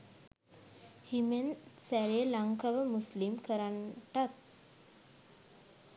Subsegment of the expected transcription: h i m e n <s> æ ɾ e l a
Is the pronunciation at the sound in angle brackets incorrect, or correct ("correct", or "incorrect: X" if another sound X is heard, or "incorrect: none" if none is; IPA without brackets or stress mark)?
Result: correct